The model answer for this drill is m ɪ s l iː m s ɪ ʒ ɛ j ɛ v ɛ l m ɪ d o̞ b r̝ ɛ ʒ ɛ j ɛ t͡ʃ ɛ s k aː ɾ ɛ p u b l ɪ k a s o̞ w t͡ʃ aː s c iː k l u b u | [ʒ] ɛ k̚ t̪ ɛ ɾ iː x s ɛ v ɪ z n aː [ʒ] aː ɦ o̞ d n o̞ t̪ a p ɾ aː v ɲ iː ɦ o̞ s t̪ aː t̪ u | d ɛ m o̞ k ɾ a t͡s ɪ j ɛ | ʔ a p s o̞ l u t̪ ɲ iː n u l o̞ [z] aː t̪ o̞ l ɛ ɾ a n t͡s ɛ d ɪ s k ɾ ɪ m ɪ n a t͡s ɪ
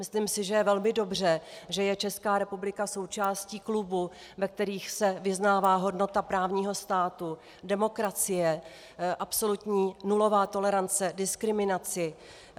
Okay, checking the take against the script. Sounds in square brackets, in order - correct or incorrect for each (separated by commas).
incorrect, incorrect, incorrect